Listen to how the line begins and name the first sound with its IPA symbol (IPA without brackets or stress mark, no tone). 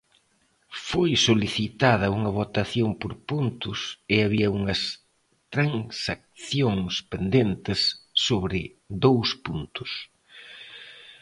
f